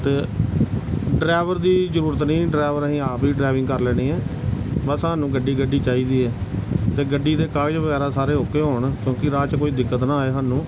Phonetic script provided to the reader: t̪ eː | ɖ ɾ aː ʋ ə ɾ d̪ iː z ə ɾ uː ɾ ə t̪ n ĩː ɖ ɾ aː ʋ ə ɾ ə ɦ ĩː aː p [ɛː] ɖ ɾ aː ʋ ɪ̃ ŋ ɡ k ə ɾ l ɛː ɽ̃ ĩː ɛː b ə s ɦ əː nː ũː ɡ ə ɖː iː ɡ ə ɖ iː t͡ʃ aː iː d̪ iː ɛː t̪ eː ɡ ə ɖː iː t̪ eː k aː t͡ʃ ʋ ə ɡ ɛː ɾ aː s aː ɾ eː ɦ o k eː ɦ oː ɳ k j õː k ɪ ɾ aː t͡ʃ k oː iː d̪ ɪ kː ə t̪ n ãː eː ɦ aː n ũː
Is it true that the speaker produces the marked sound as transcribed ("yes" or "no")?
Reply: no